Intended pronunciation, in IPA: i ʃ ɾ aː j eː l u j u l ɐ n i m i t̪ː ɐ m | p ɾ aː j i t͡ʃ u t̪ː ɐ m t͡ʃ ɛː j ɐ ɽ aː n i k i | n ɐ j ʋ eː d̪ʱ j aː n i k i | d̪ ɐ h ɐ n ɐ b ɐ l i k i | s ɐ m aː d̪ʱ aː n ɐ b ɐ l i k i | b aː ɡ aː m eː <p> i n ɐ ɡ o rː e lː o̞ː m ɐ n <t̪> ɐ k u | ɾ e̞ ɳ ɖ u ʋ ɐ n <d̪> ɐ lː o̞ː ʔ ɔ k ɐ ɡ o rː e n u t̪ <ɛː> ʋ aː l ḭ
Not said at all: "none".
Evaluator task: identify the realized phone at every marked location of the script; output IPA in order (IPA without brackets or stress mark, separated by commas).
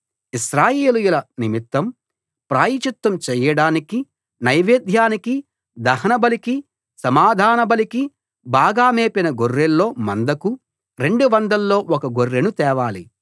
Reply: p, d̪, d̪, ɛː